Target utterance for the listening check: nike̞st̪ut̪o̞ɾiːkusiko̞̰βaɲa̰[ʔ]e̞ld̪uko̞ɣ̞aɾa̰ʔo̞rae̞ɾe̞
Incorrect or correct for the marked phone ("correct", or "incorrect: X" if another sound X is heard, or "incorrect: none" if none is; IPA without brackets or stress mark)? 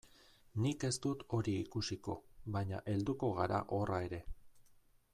correct